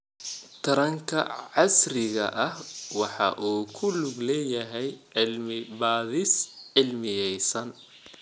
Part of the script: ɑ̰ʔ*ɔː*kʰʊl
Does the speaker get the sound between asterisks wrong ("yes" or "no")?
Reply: yes